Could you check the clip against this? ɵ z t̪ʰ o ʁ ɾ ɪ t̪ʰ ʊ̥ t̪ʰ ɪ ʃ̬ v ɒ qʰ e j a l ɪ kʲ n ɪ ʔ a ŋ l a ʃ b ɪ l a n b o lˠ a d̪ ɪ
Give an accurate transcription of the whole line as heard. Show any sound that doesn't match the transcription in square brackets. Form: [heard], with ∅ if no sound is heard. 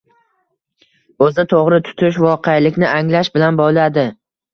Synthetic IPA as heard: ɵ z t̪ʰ o ʁ ɾ ɪ t̪ʰ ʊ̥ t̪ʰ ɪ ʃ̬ v ɒ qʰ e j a l ɪ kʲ n ɪ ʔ a ŋ l a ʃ b ɪ l a n b [ɒ] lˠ a d̪ ɪ